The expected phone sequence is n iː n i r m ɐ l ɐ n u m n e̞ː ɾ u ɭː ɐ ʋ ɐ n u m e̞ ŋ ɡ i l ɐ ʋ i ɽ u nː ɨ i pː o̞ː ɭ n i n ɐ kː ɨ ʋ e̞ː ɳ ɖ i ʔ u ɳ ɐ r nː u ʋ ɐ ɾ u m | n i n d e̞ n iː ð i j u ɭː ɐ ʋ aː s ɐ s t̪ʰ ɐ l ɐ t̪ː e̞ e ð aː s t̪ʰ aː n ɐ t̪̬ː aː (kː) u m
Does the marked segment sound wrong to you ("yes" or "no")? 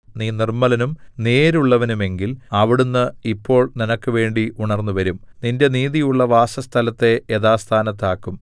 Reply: no